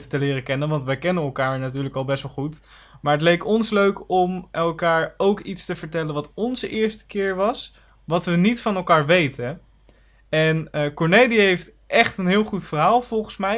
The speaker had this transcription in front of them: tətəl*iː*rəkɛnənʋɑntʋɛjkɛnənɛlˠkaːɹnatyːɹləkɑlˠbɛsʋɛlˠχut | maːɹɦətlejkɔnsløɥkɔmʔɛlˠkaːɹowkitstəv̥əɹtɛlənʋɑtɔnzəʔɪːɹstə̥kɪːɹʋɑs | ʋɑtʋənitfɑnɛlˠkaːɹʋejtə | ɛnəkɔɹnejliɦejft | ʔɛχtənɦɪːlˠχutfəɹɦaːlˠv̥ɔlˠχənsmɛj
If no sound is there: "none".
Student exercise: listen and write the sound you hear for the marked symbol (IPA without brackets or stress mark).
ɪː